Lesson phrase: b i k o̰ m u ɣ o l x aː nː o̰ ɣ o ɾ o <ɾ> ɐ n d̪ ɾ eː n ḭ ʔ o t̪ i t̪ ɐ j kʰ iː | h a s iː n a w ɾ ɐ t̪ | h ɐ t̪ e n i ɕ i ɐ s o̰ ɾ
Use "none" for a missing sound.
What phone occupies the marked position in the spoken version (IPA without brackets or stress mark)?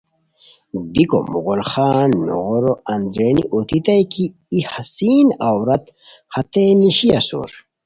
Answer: none